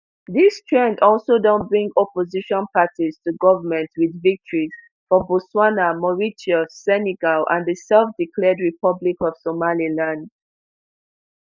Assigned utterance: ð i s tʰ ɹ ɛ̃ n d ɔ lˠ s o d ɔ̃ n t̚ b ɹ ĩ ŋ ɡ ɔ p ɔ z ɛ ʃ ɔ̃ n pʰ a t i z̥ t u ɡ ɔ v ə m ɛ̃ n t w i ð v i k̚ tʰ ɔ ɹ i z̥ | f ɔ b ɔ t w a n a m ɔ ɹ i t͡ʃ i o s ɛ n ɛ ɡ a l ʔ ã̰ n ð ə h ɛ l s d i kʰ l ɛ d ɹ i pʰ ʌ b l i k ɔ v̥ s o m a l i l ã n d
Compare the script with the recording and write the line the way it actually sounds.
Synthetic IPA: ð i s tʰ ɹ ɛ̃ n d ɔ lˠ s o d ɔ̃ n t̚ b ɹ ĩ ŋ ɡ ɔ p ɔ z i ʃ ɔ̃ n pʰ a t i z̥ t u ɡ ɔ v ə m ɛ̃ n t w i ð v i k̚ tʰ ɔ ɹ i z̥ | f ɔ b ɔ s w a n a m ɔ ɹ i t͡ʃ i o s ɛ n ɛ ɡ a l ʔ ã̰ n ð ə s ɛ l f d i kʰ l ɛ d ɹ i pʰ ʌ b l i k ɔ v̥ s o m a l i l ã n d